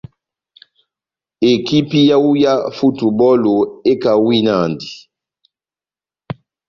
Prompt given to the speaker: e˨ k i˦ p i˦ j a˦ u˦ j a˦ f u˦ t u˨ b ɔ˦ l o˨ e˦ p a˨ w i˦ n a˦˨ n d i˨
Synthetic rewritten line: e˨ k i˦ p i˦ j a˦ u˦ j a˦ f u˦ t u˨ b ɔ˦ l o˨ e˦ k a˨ w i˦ n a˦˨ n d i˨